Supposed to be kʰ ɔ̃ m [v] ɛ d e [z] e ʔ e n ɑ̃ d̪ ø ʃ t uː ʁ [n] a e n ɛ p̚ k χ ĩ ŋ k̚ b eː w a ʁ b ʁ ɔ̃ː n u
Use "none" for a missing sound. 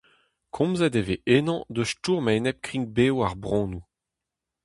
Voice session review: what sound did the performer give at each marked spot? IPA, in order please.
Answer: z, v, m

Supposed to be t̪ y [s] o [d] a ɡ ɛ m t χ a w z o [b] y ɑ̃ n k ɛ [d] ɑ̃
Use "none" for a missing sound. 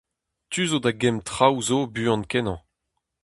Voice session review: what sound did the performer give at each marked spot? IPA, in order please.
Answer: z, d, b, n

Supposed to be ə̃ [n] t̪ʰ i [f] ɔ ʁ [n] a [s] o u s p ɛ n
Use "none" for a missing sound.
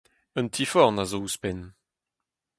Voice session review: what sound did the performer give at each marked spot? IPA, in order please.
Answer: n, f, n, z

